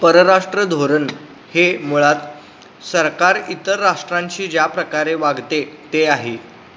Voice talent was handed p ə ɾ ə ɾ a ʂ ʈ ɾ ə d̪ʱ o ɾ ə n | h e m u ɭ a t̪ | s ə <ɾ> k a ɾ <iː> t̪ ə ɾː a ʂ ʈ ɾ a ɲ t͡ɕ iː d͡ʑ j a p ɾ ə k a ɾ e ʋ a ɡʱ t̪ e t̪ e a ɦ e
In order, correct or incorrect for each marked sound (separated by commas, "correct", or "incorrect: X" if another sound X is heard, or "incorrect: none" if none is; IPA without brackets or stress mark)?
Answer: correct, incorrect: i